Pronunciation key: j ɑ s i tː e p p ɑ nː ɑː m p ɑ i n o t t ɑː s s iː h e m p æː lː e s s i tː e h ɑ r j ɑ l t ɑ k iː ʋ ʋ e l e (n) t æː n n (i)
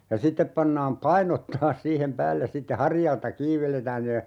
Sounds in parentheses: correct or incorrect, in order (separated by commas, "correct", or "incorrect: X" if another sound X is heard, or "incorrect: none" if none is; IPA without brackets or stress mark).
incorrect: none, incorrect: e